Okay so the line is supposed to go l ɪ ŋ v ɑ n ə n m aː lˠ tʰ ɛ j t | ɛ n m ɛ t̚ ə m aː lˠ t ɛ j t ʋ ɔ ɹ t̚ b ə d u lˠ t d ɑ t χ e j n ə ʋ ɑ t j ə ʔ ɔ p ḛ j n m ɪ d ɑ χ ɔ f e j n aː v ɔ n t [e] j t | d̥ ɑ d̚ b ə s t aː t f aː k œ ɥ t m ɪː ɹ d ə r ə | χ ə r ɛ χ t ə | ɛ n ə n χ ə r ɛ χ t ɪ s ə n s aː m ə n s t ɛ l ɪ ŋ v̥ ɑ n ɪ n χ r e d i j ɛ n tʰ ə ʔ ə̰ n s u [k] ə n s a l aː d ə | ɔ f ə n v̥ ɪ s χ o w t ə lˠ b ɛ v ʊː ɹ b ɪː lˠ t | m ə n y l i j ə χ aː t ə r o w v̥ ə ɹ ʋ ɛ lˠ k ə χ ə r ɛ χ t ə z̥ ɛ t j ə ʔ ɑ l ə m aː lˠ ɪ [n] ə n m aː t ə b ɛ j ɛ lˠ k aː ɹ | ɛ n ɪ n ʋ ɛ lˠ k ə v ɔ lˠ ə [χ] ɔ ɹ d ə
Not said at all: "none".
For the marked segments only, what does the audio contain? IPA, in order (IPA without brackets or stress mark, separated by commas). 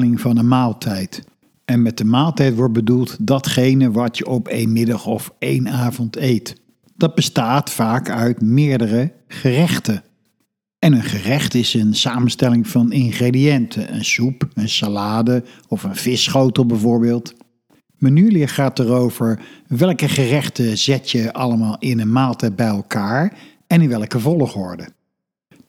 e, p, n, χ